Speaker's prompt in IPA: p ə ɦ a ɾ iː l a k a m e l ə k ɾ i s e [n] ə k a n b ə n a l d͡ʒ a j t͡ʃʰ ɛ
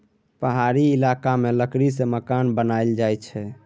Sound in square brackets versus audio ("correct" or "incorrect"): incorrect